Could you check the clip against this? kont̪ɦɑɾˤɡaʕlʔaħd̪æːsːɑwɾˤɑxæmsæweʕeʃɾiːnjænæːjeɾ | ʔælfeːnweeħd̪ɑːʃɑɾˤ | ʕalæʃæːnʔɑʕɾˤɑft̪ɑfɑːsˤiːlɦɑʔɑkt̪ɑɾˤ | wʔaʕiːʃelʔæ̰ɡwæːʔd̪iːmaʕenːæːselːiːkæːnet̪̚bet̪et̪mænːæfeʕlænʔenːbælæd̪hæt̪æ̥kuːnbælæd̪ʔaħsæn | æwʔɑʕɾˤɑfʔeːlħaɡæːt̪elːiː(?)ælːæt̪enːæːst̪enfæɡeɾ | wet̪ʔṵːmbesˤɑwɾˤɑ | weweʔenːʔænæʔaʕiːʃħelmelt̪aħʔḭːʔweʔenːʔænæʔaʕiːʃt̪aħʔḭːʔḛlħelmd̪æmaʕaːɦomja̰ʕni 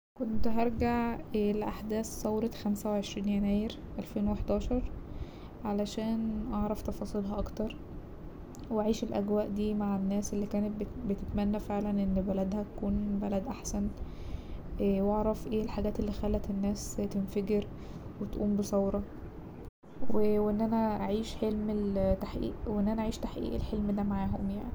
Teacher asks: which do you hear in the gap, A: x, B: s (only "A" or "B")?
A